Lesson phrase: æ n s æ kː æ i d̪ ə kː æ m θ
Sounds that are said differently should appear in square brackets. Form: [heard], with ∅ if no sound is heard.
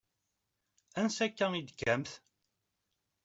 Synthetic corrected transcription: æ n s æ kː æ i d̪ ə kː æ m θ

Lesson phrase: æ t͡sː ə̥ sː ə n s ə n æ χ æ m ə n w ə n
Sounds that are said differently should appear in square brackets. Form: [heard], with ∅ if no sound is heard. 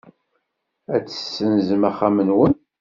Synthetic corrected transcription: æ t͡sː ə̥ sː ə n [z] ə [m] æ χ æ m ə n w ə n

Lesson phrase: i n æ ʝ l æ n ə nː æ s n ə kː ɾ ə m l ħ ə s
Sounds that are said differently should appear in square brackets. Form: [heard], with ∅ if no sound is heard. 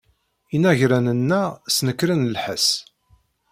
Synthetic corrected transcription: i n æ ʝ [ɾ] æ n ə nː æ s n ə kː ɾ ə [n] l ħ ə s

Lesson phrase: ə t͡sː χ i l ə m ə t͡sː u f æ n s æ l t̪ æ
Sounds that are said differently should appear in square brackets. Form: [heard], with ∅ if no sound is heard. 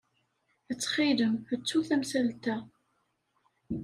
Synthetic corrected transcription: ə t͡sː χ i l ə m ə t͡sː u [θ] æ [m] s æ l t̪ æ

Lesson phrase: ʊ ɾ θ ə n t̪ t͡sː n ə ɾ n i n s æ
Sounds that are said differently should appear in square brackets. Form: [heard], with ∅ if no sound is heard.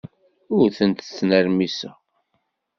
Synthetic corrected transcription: ʊ ɾ θ ə n t̪ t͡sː n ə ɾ [m] i [∅] s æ

